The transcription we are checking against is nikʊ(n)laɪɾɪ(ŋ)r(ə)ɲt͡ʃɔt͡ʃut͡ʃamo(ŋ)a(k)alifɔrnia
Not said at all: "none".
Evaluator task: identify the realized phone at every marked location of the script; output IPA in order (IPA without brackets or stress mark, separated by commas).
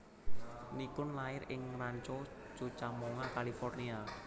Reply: n, ŋ, a, ŋ, k